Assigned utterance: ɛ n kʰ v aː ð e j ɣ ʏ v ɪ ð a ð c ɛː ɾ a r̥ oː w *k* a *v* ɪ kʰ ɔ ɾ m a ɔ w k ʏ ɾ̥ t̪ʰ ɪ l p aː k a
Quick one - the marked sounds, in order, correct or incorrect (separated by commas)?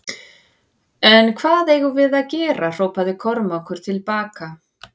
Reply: incorrect, incorrect